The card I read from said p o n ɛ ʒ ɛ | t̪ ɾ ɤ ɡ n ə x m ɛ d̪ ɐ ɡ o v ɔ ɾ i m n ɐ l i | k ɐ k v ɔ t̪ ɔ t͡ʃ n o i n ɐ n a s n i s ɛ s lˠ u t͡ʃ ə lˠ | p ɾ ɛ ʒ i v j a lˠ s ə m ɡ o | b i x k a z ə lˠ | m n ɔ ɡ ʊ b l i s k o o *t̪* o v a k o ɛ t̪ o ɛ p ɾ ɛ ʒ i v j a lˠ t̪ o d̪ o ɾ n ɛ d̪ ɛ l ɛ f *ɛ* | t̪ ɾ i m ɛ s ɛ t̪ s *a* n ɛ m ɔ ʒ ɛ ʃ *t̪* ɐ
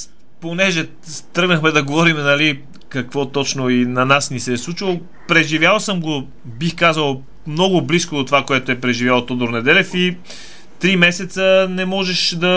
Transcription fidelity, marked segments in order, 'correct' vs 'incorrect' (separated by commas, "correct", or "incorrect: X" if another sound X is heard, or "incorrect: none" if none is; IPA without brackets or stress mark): correct, incorrect: i, incorrect: ə, incorrect: d̪